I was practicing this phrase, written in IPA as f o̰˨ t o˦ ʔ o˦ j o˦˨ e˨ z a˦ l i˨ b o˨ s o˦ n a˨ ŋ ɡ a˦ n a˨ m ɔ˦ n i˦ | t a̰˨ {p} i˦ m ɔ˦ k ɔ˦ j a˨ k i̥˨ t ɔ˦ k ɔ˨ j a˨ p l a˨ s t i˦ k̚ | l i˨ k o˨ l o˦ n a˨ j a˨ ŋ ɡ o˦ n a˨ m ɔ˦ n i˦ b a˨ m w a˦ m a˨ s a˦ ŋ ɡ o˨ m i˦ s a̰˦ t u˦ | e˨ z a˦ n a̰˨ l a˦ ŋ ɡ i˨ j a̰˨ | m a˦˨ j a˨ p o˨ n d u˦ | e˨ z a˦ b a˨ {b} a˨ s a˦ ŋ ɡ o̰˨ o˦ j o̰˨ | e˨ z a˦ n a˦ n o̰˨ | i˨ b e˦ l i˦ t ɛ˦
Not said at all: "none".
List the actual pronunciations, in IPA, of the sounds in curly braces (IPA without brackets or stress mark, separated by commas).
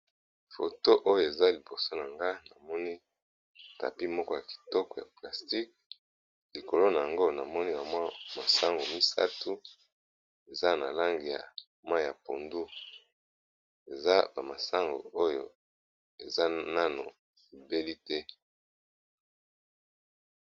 p, m